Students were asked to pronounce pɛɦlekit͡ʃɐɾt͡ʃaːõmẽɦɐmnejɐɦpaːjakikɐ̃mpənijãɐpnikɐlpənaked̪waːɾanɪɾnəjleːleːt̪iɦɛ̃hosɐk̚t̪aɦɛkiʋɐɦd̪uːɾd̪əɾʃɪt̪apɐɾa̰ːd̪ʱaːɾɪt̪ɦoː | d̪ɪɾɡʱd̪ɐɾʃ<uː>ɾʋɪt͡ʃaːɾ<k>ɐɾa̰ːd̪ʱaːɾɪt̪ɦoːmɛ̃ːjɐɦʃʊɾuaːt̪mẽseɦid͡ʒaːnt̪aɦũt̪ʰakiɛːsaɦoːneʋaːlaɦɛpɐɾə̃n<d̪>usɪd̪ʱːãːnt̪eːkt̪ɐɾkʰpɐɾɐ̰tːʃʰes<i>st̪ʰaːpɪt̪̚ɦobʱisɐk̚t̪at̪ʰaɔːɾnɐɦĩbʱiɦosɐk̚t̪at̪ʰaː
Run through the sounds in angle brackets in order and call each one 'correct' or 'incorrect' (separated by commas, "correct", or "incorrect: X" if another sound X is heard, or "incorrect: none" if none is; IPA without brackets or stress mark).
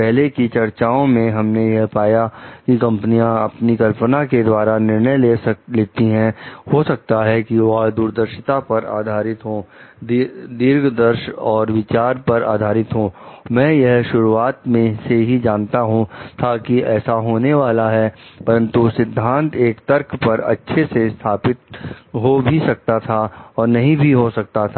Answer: incorrect: ɔː, incorrect: p, incorrect: t̪, incorrect: e